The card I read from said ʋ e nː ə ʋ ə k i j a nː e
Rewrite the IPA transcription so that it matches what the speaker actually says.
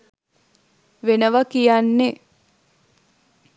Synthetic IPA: ʋ e n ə ʋ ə k i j a nː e